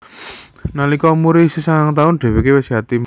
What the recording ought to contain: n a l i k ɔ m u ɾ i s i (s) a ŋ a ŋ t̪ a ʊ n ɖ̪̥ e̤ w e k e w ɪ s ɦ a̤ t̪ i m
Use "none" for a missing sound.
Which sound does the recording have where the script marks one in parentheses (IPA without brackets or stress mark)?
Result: s